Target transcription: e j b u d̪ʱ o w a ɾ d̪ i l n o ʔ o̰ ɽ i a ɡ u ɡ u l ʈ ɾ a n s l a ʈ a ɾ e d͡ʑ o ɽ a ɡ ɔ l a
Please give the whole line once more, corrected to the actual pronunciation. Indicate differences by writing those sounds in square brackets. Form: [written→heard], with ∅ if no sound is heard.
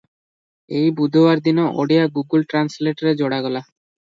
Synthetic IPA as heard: e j b u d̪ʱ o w a ɾ d̪ i [l→∅] n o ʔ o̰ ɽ i a ɡ u ɡ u l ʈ ɾ a n s l [a→e] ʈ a ɾ e d͡ʑ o ɽ a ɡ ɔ l a

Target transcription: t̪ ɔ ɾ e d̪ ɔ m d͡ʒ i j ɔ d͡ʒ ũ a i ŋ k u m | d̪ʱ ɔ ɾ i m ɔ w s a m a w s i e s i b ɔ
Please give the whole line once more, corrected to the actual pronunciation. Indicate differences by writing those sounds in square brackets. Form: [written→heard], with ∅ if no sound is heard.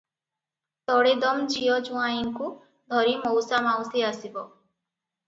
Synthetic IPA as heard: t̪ ɔ [ɾ→ɽ] e d̪ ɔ m d͡ʒ i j ɔ d͡ʒ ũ a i ŋ k u [m→∅] | d̪ʱ ɔ ɾ i m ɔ w s a m a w s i [e→a] s i b ɔ

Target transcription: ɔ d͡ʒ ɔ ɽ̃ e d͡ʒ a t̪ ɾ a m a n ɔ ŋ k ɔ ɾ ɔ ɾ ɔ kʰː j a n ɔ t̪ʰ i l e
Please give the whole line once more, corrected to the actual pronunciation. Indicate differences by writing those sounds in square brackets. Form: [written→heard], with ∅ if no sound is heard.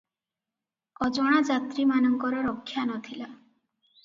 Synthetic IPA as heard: ɔ d͡ʒ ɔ ɽ̃ [e→a] d͡ʒ a t̪ ɾ [a→i] m a n ɔ ŋ k ɔ ɾ ɔ ɾ ɔ kʰː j a n ɔ t̪ʰ i l [e→a]

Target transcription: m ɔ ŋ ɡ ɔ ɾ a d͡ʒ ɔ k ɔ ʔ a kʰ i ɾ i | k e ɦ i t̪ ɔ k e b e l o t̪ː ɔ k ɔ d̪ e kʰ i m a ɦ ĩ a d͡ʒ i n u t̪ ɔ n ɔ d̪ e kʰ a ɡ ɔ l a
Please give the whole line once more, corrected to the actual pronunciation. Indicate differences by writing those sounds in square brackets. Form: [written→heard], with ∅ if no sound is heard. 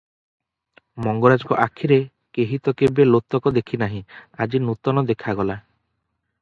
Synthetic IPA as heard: m ɔ ŋ ɡ ɔ ɾ a d͡ʒ ɔ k ɔ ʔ a kʰ i ɾ [i→e] | k e ɦ i t̪ ɔ k e b e l o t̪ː ɔ k ɔ d̪ e kʰ i [m→n] a ɦ ĩ a d͡ʒ i n u t̪ ɔ n ɔ d̪ e kʰ a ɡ ɔ l a

